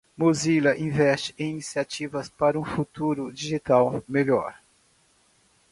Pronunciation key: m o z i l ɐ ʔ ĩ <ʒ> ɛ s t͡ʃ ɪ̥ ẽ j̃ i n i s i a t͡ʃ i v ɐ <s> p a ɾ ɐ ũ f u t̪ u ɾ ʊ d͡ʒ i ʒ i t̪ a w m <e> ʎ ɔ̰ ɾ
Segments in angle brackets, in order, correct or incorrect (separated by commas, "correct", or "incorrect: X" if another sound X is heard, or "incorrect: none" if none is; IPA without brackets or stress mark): incorrect: v, correct, correct